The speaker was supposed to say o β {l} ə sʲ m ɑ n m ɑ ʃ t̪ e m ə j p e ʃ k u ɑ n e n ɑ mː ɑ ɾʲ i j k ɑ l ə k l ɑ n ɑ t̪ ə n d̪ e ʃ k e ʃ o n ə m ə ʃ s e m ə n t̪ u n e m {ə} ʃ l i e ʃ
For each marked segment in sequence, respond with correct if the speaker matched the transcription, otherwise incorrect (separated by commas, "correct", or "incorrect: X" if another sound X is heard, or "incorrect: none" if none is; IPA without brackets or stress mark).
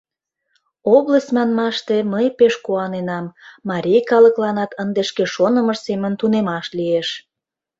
correct, incorrect: ɑ